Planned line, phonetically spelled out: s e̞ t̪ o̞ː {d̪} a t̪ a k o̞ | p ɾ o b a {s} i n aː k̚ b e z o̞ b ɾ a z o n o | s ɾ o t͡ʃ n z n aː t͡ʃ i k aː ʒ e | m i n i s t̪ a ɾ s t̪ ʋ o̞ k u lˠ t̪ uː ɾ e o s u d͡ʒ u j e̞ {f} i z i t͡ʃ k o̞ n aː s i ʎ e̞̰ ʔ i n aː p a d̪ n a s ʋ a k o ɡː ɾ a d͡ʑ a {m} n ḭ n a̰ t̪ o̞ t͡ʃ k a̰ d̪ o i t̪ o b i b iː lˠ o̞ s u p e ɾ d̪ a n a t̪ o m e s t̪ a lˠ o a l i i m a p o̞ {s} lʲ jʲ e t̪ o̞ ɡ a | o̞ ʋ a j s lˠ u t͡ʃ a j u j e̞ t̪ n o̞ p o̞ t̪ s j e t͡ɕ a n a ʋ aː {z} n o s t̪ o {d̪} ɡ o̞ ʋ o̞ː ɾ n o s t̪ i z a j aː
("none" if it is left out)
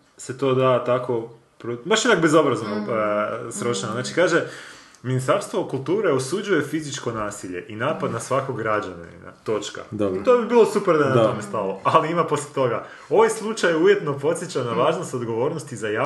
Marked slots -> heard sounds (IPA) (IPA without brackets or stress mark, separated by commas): d̪, ʃ, f, n, s, ʒ, d̪